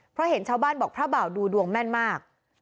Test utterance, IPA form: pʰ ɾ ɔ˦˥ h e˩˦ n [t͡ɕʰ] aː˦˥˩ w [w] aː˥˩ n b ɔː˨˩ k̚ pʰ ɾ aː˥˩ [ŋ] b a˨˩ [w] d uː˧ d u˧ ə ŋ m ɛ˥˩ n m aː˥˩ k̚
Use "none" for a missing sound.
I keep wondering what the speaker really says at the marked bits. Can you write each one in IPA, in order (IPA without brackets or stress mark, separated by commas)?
t͡ɕʰ, b, none, w